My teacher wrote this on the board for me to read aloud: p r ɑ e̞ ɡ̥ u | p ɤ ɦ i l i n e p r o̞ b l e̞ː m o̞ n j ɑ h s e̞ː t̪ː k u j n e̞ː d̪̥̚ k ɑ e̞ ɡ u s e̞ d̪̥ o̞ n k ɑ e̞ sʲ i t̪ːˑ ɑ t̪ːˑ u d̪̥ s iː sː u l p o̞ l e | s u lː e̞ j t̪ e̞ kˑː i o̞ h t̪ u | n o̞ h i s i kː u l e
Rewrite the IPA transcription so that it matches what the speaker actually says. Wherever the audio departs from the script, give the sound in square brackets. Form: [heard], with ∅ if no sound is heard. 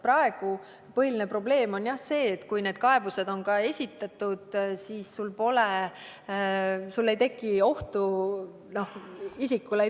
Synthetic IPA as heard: p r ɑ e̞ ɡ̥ u | p ɤ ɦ i l i n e p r o̞ b l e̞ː m o̞ n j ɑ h s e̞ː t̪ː k u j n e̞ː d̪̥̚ k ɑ e̞ [b] u s e̞ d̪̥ o̞ n k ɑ e̞ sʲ i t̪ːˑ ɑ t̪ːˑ u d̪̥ s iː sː u l p o̞ l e | s u lː e̞ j t̪ e̞ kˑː i o̞ h t̪ u | n o̞ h i s i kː u l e